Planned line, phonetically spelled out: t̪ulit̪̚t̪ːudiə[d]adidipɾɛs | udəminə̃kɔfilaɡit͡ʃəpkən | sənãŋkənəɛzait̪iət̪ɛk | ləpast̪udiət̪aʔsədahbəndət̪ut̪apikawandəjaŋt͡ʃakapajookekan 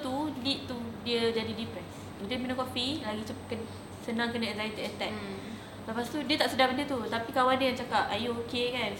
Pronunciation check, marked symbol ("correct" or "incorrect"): incorrect